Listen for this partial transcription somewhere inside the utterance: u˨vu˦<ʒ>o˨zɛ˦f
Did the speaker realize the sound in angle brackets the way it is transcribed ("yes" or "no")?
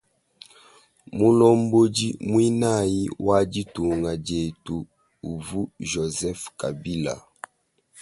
yes